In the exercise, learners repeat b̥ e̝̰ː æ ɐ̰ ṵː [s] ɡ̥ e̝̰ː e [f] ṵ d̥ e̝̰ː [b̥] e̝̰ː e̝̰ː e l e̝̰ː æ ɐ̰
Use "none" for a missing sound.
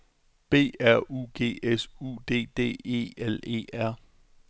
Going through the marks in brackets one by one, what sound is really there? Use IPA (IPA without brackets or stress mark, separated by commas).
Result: none, s, d̥